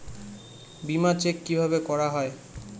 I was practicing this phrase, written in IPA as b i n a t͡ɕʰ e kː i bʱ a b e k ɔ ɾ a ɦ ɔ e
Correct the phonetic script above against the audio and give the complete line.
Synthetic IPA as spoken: b i m a t͡ɕ e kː i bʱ a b e k ɔ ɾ a ɦ ɔ e